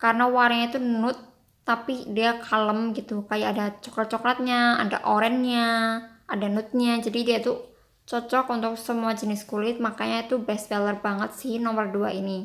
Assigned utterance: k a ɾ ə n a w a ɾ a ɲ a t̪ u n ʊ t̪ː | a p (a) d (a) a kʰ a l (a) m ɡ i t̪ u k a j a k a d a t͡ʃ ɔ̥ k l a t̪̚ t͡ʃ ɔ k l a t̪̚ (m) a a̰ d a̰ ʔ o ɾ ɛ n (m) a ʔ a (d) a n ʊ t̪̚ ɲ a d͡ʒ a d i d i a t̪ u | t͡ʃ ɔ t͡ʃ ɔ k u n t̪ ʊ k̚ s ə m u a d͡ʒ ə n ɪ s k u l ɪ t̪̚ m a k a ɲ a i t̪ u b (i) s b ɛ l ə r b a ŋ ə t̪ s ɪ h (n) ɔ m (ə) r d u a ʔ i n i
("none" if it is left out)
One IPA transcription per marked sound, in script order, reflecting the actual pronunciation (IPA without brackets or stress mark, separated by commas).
i, i, ə, ɲ, ɲ, d, ɛ, n, ə